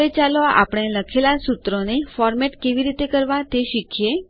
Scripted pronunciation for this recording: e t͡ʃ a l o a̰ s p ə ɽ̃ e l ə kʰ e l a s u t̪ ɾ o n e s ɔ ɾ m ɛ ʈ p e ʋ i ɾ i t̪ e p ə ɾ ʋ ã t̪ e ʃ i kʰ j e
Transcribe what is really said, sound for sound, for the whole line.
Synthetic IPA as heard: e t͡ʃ a l o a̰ p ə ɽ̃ e l ə kʰ e l a s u t̪ ɾ o n e f ɔ ɾ m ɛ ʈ k e ʋ i ɾ i t̪ e k ə ɾ ʋ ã t̪ e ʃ i kʰ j e